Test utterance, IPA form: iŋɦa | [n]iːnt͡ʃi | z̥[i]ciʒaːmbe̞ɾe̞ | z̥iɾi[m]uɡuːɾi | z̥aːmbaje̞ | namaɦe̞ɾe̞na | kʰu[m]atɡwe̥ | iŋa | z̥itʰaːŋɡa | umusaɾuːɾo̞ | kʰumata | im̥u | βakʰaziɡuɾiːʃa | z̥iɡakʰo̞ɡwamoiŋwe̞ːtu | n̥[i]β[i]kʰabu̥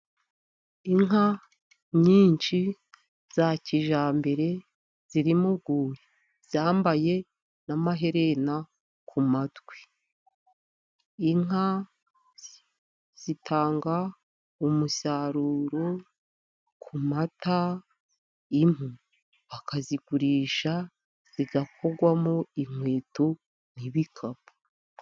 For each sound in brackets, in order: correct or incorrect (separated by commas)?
incorrect, incorrect, correct, correct, correct, correct